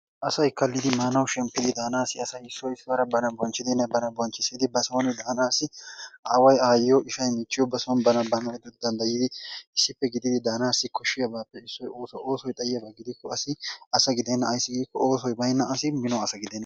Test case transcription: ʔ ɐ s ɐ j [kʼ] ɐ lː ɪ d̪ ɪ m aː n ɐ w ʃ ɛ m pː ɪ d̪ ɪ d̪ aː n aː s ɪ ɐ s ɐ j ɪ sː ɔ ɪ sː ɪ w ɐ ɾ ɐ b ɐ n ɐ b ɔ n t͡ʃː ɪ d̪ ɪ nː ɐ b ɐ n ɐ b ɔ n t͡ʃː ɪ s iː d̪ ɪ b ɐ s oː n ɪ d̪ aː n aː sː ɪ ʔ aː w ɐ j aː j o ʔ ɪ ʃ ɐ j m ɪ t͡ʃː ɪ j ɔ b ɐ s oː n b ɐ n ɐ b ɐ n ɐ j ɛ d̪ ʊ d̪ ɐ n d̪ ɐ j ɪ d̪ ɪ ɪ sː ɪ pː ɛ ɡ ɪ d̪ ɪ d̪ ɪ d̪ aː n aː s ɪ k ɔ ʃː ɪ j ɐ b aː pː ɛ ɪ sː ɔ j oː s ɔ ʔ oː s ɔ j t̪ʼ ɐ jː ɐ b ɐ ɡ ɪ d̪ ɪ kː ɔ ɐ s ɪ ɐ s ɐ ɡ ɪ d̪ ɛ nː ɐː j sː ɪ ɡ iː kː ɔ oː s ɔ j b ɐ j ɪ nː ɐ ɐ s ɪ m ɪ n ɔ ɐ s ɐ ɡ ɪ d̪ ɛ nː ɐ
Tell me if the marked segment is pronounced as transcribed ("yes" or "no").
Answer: no